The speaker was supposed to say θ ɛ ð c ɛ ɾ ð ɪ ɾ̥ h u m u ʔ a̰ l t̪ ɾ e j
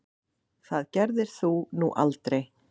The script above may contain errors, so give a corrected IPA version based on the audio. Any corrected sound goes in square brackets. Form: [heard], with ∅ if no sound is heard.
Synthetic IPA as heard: θ [a] ð c ɛ ɾ ð ɪ ɾ̥ [θ] u [n] u ʔ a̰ l t̪ ɾ e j